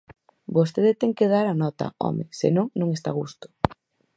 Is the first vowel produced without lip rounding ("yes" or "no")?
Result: no